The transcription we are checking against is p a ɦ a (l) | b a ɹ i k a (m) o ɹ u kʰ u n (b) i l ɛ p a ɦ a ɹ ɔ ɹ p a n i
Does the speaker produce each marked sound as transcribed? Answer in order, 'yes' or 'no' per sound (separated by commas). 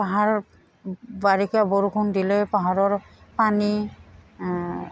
no, no, no